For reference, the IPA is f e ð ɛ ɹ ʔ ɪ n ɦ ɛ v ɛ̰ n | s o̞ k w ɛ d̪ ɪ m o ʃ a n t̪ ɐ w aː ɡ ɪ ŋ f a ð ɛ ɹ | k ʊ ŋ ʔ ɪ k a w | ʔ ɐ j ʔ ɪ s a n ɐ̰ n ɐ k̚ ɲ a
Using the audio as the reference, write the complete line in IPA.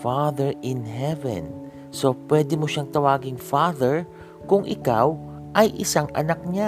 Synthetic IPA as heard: f a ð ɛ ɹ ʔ ɪ n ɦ ɛ v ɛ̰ n | s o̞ p w ɛ d̪ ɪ m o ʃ a ŋ t̪ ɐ w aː ɡ ɪ ŋ f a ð ɛ ɹ | k ʊ ŋ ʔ ɪ k a w | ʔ ɐ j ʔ ɪ s a ŋ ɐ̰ n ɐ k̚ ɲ a